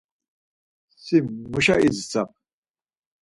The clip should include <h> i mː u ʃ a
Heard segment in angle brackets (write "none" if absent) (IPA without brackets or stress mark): s